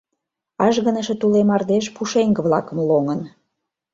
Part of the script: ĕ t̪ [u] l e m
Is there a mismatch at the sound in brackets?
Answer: no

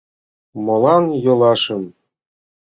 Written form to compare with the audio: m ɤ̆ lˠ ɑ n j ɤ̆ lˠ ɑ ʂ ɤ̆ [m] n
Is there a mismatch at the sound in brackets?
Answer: yes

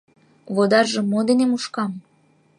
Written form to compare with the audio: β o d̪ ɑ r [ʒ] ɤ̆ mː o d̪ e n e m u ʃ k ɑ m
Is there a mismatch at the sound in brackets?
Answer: no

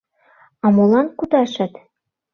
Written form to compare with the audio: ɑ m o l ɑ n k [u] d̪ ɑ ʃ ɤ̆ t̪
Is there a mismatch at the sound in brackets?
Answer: no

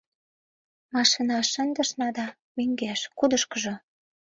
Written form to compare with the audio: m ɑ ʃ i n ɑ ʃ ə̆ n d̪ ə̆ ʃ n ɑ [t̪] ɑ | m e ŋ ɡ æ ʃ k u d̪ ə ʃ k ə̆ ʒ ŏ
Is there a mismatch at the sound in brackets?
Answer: yes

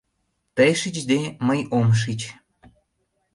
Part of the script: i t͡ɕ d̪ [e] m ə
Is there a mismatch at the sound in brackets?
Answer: no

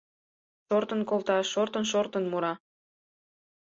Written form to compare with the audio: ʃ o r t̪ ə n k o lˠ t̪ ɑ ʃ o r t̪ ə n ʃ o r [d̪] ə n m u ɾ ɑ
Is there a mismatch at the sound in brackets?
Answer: yes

